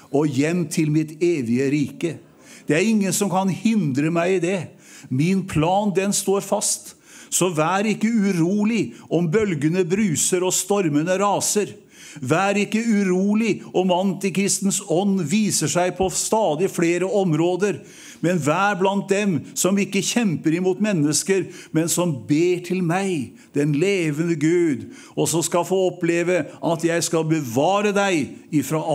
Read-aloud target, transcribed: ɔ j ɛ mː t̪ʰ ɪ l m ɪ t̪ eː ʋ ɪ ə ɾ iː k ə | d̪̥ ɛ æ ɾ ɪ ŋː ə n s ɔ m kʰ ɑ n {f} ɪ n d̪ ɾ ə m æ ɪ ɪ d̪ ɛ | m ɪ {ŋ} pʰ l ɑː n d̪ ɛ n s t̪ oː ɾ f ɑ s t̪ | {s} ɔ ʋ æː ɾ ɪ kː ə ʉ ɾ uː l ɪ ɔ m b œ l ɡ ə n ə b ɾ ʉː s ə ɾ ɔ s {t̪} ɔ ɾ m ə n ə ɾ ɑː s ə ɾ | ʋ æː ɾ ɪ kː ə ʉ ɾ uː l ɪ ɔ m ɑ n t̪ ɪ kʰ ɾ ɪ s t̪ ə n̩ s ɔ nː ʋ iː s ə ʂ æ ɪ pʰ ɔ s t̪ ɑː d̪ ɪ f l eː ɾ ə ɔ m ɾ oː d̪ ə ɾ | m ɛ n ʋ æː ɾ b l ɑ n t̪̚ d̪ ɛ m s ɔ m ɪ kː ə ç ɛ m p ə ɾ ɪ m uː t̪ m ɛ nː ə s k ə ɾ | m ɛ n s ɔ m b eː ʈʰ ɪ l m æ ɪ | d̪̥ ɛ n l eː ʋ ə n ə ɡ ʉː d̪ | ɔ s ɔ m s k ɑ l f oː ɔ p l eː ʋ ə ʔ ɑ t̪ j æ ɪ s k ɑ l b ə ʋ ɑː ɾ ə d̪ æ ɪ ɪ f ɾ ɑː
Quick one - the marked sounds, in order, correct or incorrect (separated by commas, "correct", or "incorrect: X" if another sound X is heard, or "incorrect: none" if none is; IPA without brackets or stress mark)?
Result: incorrect: h, incorrect: n, correct, correct